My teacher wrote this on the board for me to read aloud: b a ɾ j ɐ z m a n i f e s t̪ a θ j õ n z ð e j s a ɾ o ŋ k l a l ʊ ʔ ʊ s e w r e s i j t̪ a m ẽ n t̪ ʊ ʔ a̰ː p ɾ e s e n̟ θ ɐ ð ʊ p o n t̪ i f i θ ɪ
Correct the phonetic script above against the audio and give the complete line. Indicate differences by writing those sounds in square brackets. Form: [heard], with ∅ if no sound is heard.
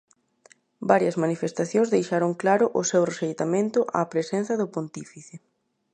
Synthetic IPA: b a ɾ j ɐ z m a n i f e s t̪ a θ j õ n z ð e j [ʃ] a ɾ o ŋ k l a [ɾ] ʊ ʔ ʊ s e w r e s [e] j t̪ a m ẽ n t̪ ʊ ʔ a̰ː p ɾ e s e n̟ θ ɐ ð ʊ p o n t̪ i f i θ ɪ

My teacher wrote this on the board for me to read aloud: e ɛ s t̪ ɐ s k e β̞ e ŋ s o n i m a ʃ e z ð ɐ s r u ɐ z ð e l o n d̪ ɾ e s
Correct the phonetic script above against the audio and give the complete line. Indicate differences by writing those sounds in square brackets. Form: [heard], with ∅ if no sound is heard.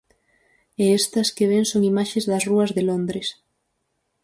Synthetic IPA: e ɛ s t̪ ɐ s k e β̞ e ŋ s o [ŋ] i m a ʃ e z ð ɐ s r u ɐ z ð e l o n d̪ ɾ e s

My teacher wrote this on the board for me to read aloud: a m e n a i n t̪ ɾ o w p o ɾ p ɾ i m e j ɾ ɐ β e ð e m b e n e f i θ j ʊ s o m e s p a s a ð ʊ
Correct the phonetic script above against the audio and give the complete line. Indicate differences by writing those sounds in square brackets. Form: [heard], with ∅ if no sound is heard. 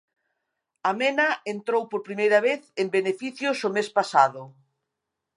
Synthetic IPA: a m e n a [e] n t̪ ɾ o w p o ɾ p ɾ i m e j ɾ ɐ β e [θ] e m b e n e f i θ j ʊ s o m e s p a s a ð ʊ

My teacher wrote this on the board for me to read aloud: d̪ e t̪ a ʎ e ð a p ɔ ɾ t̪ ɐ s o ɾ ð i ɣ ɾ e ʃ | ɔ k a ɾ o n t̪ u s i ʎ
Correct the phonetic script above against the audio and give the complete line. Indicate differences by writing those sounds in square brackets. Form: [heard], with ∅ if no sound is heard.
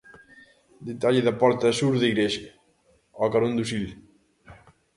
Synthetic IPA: d̪ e t̪ a ʎ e ð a p ɔ ɾ t̪ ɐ s [u] ɾ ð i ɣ ɾ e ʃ | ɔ k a ɾ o n [d̪] u s i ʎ

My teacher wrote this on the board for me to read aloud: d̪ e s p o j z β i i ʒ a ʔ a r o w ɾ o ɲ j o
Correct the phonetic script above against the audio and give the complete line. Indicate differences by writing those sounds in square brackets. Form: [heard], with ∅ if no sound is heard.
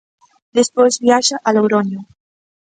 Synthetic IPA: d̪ e s p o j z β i [a] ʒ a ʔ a [l] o w ɾ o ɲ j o

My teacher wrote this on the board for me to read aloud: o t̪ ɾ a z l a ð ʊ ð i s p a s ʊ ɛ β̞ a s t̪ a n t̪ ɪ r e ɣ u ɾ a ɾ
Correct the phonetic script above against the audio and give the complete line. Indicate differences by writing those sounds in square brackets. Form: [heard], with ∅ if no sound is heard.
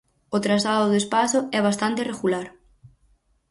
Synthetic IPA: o t̪ ɾ a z l a ð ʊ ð [e] s p a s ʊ ɛ β̞ a s t̪ a n t̪ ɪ r e ɣ u [l] a ɾ

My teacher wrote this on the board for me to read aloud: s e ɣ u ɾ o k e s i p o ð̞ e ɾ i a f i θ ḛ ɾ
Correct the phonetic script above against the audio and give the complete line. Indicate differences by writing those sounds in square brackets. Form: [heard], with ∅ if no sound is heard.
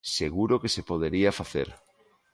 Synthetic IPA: s e ɣ u ɾ o k e s [e] p o ð̞ e ɾ i a f [a] θ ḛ ɾ

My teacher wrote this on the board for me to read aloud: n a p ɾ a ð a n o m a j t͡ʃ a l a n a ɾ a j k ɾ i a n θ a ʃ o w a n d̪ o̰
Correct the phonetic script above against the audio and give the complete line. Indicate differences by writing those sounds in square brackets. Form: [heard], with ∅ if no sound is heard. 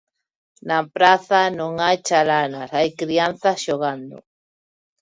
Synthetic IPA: n a p ɾ a [θ] a n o [ŋ] a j t͡ʃ a l a n a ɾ a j k ɾ i a n θ a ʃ o [ɣ] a n d̪ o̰

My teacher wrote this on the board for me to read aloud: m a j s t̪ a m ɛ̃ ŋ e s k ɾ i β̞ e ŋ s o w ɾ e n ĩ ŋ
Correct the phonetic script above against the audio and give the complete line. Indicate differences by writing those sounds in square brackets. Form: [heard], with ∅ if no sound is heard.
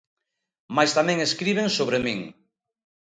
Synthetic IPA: m a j s t̪ a m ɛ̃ ŋ e s k ɾ i β̞ e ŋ s o [β] ɾ e [m] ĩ ŋ

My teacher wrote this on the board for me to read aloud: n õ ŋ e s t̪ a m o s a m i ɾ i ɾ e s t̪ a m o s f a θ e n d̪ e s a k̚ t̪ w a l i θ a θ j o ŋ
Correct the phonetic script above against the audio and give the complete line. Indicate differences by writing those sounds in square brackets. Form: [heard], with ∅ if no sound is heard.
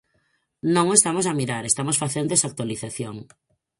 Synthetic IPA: n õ ŋ e s t̪ a m o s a m i ɾ [a] ɾ e s t̪ a m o s f a θ e n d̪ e s a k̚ t̪ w a l i θ a θ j o ŋ

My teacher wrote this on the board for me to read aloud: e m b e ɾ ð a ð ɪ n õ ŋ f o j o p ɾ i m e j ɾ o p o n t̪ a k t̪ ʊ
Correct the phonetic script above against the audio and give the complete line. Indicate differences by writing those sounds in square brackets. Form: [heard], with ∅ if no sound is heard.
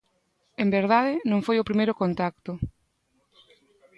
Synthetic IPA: e m b e ɾ ð a ð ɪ n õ ŋ f o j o p ɾ i m e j ɾ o [k] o n t̪ a k t̪ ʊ

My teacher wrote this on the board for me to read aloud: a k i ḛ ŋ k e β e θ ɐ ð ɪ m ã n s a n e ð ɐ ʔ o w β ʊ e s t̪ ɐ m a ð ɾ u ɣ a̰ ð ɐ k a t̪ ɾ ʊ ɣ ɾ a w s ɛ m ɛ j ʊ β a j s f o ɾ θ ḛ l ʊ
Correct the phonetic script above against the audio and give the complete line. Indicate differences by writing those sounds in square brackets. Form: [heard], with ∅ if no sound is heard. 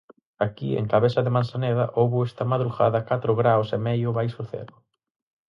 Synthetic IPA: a k i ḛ ŋ k [a] β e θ ɐ ð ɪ m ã n s a n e ð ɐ ʔ o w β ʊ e s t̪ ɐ m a ð ɾ u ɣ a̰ ð ɐ k a t̪ ɾ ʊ ɣ ɾ a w s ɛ m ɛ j ʊ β a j s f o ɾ θ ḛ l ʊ

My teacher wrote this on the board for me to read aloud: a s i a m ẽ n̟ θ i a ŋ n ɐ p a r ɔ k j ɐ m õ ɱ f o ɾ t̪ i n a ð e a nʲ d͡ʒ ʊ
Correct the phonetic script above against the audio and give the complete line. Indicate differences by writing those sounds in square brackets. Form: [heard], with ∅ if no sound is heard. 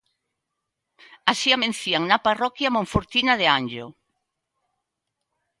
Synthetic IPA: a s i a m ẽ n̟ θ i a ŋ n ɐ p a r ɔ k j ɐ m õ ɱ f o ɾ t̪ i n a ð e a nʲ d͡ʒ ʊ

